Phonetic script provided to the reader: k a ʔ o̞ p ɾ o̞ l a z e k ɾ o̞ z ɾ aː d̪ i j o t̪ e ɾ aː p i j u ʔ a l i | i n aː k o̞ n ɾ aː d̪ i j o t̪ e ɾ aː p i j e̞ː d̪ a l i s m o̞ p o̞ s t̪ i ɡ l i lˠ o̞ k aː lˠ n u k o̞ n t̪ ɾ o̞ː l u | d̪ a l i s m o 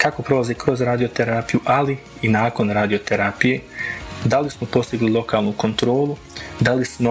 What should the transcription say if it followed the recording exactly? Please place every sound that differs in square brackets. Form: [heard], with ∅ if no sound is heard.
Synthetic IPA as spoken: k a [k] o̞ p ɾ o̞ l a z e k ɾ o̞ z ɾ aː d̪ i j o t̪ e ɾ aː p i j u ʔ a l i | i n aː k o̞ n ɾ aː d̪ i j o t̪ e ɾ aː p i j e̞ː d̪ a l i s m o̞ p o̞ s t̪ i ɡ l i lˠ o̞ k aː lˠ n u k o̞ n t̪ ɾ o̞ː l u | d̪ a l i s m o